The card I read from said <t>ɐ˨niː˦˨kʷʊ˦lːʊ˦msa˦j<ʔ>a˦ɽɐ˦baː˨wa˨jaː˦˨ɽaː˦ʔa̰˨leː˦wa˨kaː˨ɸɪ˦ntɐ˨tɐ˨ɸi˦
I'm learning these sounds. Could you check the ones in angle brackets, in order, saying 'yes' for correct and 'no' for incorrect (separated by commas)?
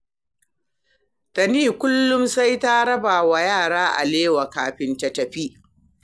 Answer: yes, no